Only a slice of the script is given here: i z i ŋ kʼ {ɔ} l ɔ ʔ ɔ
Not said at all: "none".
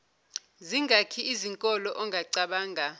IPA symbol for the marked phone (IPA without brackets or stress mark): ɔ